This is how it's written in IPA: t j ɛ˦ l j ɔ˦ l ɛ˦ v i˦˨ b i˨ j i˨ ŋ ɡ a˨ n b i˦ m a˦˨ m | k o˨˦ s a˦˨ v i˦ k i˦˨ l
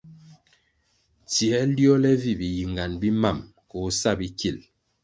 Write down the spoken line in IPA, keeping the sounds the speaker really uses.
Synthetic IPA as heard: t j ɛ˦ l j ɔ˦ l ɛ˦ v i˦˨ b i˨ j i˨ ŋ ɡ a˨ n b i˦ m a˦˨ m | k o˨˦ s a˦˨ b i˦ k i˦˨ l